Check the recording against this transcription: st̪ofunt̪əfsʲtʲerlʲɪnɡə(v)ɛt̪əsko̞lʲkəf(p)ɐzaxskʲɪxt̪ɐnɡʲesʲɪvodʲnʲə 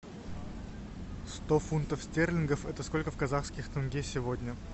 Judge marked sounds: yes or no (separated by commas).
no, no